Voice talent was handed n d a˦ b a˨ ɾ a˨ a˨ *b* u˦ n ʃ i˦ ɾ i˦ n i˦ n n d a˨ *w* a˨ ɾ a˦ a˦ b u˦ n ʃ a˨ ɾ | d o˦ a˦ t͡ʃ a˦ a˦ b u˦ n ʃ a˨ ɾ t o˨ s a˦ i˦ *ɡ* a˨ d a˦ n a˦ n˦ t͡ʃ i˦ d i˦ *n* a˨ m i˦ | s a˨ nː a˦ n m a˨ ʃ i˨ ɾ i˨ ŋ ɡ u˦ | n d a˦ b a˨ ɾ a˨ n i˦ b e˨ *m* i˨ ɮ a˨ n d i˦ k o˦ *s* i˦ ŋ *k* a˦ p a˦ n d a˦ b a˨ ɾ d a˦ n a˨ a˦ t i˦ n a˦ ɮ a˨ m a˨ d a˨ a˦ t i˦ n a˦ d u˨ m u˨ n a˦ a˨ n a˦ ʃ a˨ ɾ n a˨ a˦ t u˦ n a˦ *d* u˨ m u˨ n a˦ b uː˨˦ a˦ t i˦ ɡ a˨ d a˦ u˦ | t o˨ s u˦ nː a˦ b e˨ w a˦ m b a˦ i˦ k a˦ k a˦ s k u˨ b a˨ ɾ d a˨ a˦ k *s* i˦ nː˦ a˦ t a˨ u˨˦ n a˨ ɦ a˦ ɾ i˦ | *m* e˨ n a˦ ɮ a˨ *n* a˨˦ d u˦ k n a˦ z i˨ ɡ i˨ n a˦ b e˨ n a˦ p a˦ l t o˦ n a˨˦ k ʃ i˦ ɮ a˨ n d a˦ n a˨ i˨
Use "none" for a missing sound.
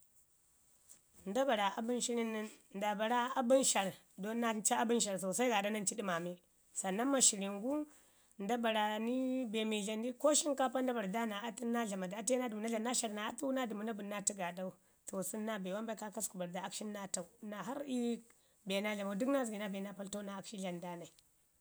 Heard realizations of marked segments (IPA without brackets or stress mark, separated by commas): b, b, ɡ, m, m, ʃ, k, d, ʃ, b, m